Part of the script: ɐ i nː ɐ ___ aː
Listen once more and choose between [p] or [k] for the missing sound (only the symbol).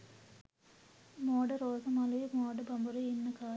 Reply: k